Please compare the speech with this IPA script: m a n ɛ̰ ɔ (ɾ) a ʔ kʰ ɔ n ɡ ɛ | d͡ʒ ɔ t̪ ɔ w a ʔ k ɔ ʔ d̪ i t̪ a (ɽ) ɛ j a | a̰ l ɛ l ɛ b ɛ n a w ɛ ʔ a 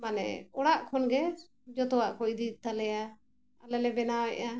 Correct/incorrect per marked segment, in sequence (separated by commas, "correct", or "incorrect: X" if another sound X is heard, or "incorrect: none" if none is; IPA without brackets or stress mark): incorrect: ɽ, incorrect: l